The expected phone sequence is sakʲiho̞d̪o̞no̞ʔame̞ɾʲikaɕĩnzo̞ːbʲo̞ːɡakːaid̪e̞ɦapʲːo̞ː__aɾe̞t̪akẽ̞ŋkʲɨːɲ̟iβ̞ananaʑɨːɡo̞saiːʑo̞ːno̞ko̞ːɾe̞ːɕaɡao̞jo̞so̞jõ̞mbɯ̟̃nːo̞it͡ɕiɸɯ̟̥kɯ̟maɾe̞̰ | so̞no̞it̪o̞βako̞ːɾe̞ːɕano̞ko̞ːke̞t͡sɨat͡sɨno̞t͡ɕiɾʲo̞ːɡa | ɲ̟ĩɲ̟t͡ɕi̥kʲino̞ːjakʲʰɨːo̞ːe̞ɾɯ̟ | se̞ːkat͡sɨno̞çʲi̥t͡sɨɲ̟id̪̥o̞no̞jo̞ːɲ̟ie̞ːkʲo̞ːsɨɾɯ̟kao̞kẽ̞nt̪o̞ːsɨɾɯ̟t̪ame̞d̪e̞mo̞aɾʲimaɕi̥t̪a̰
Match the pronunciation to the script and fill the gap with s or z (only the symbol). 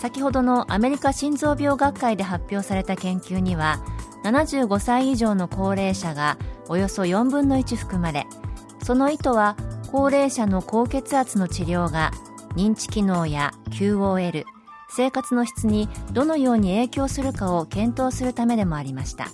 s